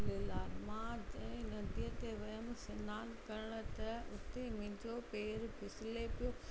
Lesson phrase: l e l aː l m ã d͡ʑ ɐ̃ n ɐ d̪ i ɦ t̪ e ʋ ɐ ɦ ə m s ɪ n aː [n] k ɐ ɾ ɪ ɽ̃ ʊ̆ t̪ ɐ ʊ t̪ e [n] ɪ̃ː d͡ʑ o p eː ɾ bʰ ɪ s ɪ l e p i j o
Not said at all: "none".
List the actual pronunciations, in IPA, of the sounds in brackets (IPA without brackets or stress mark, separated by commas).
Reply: n, m